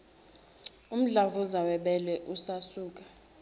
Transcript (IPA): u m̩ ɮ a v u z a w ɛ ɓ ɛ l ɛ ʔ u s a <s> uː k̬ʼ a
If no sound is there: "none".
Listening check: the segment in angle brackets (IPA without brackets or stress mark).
s